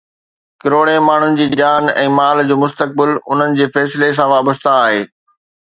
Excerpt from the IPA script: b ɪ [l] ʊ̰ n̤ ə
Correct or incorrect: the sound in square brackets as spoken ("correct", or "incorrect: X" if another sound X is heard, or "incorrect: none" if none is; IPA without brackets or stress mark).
correct